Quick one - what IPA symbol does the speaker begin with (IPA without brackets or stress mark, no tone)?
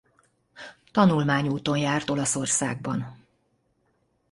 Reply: t̪